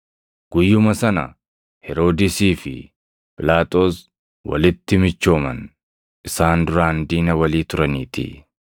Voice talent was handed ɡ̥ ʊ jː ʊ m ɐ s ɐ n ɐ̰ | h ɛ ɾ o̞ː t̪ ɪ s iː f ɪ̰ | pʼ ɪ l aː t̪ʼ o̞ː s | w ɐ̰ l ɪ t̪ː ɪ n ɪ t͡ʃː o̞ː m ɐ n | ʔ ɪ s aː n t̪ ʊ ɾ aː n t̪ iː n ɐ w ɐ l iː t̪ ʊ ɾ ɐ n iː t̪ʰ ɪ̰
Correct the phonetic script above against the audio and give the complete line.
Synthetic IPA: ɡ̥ ʊ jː ʊ m ɐ s ɐ n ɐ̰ | h ɛ ɾ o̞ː d̪ ɪ s iː f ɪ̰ | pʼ ɪ l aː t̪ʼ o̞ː s | w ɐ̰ l ɪ t̪ː ɪ m ɪ t͡ʃː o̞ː m ɐ n | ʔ ɪ s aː n d̪ ʊ ɾ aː n d̪ iː n ɐ w ɐ l iː t̪ ʊ ɾ ɐ n iː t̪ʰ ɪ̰